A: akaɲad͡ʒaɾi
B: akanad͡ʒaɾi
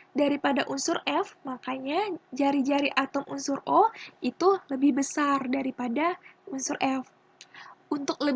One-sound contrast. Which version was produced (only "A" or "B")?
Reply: A